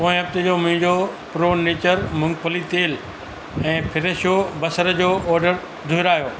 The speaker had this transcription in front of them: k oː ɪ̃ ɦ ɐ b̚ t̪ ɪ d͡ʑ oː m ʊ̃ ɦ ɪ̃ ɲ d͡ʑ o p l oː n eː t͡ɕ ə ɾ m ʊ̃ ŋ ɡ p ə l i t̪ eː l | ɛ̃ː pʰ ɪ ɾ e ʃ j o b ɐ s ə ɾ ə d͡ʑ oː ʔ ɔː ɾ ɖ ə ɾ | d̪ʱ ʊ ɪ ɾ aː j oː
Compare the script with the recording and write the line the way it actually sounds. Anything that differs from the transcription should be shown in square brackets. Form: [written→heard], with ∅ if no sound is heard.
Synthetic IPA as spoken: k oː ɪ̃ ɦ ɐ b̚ t̪ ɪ d͡ʑ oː m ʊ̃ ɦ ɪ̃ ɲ d͡ʑ o p [l→ɾ] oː n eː t͡ɕ ə ɾ m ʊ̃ ŋ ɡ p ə l i t̪ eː l | ɛ̃ː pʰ ɪ ɾ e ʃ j o b ɐ s ə ɾ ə d͡ʑ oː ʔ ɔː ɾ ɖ ə ɾ | d̪ʱ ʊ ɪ ɾ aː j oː